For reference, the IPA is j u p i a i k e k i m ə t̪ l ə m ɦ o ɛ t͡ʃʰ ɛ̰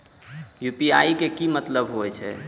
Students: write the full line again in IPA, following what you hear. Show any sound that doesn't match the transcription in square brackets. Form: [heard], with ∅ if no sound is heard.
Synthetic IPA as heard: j u p i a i k e k i m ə t̪ l ə [b] ɦ o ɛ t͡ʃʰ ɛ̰